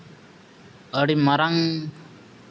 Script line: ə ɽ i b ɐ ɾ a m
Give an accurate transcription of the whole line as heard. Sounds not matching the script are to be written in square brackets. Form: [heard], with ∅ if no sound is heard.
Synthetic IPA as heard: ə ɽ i [m] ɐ ɾ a [ŋ]